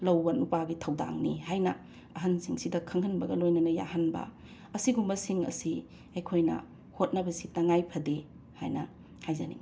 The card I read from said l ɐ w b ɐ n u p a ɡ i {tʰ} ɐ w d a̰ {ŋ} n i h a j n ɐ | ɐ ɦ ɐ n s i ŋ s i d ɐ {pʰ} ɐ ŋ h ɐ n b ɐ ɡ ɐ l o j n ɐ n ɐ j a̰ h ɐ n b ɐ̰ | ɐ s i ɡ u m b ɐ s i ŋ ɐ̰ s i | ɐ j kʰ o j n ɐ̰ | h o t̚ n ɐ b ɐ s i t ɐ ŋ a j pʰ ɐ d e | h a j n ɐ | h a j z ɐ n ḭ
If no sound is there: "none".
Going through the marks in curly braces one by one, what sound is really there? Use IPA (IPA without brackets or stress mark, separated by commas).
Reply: tʰ, ŋ, kʰ